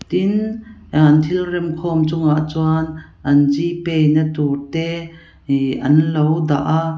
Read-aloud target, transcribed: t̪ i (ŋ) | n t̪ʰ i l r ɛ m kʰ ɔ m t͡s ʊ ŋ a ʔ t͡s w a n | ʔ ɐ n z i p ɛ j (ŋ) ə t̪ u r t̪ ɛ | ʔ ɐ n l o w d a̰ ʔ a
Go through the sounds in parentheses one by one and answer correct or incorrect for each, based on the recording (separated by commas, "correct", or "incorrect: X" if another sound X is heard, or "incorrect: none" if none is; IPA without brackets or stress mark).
incorrect: n, incorrect: n